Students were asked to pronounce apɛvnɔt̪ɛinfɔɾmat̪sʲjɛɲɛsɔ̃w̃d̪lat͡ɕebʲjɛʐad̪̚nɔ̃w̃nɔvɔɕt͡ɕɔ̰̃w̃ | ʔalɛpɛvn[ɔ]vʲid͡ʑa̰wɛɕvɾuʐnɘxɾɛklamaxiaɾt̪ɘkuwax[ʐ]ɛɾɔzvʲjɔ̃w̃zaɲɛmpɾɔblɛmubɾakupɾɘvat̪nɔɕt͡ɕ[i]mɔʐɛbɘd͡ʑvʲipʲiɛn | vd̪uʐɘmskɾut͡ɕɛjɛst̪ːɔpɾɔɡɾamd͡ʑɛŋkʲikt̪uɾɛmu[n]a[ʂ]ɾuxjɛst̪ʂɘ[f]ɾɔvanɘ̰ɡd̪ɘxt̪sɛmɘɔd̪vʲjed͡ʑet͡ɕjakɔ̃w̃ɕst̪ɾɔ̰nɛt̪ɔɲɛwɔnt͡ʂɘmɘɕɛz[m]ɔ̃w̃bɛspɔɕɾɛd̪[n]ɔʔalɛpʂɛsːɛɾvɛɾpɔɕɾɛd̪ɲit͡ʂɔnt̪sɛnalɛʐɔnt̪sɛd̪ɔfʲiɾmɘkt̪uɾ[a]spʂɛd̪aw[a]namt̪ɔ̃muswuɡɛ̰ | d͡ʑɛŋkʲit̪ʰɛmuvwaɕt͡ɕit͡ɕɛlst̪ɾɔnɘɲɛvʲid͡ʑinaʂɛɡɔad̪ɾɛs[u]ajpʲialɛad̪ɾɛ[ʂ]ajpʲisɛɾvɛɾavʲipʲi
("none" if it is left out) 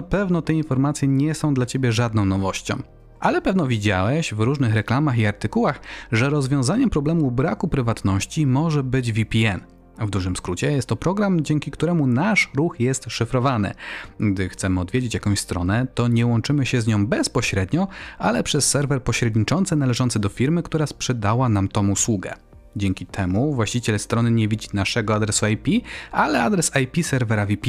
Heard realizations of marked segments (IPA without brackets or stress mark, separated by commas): ɔ, ʐ, i, n, ʂ, f, ɲ, ɲ, a, a, u, s